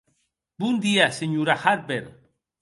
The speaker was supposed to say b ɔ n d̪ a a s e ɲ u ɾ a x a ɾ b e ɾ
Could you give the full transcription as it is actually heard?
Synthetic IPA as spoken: b u n d̪ i a s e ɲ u ɾ a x a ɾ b e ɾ